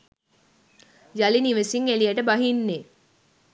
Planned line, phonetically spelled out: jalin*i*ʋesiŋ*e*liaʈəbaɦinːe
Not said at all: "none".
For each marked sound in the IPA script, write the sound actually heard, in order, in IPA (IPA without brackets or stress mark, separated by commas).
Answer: i, e